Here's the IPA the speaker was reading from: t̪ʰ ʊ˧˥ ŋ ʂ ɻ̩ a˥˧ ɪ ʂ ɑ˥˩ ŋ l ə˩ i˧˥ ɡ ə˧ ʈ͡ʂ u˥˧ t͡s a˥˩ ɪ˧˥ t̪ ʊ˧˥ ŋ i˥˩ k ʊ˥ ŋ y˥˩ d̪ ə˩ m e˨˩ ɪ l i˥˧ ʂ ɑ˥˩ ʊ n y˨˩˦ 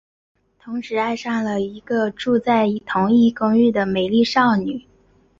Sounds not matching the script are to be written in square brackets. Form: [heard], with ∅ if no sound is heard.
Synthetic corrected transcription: t̪ʰ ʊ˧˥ ŋ ʂ ɻ̩ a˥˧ ɪ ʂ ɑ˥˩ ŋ l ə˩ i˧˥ ɡ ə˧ ʈ͡ʂ u˥˧ t͡s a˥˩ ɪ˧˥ [t̪ʰ] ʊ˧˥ ŋ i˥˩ k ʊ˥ ŋ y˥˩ d̪ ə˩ m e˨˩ ɪ l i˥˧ ʂ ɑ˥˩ ʊ n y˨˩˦